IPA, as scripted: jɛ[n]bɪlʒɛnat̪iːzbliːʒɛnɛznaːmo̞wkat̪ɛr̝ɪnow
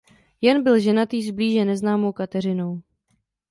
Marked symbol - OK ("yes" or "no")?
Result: yes